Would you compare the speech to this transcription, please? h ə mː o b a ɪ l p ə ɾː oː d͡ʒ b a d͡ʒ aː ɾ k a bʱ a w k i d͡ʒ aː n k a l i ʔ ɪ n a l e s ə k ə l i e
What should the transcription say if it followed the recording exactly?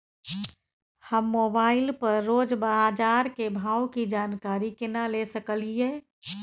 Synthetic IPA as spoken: h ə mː o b a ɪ l p ə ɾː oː d͡ʒ b a d͡ʒ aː ɾ k e bʱ a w k i d͡ʒ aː n k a ɾ i k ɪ n a l e s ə k ə l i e